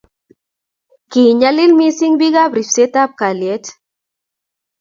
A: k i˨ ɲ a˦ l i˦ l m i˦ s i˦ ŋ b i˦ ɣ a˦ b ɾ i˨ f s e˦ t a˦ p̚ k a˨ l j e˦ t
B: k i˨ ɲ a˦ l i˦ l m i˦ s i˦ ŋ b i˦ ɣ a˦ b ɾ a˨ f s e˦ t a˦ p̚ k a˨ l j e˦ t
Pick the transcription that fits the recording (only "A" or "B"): A